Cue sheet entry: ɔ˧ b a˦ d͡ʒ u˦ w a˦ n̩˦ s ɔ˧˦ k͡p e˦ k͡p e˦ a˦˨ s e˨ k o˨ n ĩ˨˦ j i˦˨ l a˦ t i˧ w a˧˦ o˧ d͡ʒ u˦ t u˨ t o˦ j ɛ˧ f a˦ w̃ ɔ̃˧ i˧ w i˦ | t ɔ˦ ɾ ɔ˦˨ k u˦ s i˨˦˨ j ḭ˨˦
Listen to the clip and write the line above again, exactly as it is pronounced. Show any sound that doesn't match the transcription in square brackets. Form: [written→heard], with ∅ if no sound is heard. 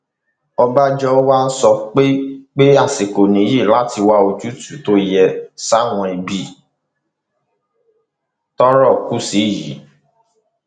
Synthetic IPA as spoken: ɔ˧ b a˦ d͡ʒ [u˦→ɔ˦] w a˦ n̩˦ s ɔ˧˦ k͡p e˦ k͡p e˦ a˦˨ s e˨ k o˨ n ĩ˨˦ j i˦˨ l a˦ t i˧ w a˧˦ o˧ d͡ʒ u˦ t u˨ t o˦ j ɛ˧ [f→s] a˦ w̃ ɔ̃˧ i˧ [w→b] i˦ | t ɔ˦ ɾ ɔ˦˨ k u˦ s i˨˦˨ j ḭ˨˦